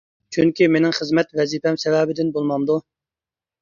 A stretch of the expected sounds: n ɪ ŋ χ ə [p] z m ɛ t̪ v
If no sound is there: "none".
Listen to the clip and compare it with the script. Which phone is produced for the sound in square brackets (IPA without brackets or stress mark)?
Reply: none